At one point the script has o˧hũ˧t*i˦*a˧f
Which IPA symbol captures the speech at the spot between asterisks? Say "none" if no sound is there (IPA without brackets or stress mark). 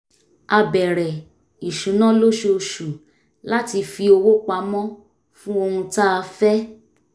a˦